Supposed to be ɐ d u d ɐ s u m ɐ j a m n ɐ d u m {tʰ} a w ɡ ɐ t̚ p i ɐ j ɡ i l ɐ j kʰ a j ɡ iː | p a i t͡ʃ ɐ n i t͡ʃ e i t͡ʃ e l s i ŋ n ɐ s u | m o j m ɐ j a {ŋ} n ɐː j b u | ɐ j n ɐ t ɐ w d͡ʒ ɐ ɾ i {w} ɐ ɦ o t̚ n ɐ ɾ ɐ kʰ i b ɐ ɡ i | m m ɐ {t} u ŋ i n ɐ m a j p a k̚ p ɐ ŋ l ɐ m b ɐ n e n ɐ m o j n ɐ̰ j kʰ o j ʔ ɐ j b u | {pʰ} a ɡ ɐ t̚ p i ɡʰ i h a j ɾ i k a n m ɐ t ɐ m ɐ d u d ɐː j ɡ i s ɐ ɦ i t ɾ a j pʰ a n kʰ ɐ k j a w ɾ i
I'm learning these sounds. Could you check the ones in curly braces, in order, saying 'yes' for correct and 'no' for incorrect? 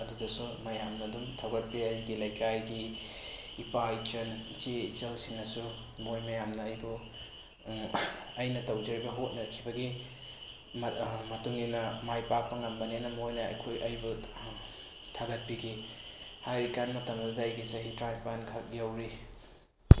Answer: yes, no, no, yes, no

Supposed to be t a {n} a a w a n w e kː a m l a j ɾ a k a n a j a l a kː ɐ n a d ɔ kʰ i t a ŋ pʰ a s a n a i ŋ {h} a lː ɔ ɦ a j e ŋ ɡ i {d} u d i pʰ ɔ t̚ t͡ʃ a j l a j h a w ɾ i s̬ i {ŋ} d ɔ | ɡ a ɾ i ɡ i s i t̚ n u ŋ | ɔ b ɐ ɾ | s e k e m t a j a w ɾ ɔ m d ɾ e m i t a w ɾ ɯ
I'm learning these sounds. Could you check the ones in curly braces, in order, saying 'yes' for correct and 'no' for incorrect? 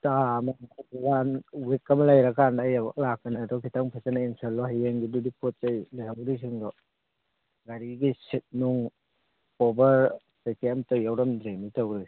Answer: no, no, yes, yes

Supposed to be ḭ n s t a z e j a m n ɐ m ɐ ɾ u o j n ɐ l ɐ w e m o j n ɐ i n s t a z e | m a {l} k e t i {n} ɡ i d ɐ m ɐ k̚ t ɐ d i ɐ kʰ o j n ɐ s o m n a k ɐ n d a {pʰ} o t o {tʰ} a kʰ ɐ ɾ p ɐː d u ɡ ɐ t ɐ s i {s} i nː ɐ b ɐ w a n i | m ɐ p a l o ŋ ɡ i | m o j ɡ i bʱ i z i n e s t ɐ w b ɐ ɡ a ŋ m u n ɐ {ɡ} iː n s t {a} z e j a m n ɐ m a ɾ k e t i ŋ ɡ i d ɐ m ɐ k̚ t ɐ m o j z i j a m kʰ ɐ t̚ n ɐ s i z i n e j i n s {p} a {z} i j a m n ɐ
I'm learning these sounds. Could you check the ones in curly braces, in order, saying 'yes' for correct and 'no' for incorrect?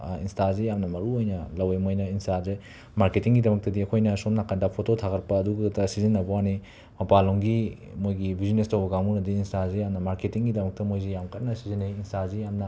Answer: no, no, yes, yes, no, no, yes, no, yes

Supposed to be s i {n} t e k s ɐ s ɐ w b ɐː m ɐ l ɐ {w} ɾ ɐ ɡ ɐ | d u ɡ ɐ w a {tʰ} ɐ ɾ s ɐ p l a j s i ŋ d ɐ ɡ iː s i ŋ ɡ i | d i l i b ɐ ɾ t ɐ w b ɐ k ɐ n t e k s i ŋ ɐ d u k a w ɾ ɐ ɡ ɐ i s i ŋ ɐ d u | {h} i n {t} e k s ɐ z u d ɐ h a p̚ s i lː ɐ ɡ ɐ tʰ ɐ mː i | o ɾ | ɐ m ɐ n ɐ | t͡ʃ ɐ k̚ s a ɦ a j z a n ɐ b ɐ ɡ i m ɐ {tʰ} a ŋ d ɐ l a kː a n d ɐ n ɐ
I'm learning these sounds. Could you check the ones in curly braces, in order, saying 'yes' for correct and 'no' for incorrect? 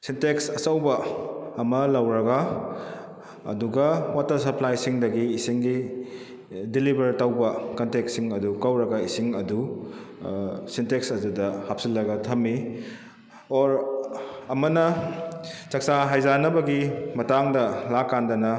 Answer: yes, yes, no, no, yes, no

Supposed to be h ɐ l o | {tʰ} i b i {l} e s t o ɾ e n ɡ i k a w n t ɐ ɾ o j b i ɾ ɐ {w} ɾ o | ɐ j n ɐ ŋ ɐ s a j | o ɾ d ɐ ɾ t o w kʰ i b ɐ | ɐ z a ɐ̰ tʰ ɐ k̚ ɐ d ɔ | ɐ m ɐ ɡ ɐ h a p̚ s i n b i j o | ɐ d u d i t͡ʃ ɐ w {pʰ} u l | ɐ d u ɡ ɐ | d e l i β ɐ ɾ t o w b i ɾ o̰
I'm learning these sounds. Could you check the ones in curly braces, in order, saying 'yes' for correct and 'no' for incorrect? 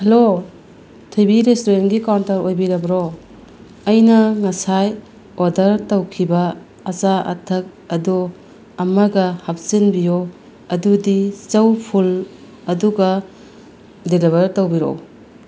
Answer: yes, no, no, yes

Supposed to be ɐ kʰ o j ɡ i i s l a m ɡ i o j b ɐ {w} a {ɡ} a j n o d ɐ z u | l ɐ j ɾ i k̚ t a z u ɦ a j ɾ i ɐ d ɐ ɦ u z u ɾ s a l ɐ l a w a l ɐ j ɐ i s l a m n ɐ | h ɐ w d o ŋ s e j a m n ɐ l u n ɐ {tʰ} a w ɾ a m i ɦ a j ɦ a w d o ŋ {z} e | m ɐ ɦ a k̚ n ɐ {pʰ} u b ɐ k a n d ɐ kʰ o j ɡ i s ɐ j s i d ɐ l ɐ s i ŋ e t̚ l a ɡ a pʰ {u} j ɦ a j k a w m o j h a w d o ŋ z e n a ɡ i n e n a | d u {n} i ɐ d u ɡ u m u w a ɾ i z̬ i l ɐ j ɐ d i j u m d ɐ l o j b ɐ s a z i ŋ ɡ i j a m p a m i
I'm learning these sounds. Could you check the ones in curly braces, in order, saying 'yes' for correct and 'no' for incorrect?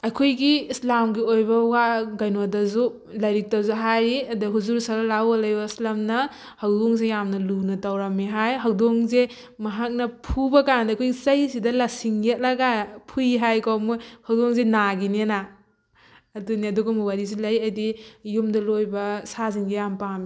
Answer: yes, yes, no, yes, yes, yes, yes

